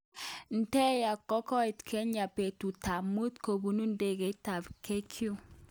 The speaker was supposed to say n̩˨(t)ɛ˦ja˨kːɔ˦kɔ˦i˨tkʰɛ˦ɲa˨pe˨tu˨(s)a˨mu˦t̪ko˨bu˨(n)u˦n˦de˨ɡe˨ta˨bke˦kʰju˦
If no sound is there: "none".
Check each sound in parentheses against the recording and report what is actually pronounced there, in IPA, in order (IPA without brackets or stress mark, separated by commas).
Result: t, t, n